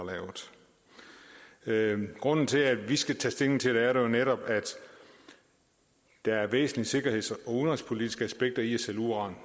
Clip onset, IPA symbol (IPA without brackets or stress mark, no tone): l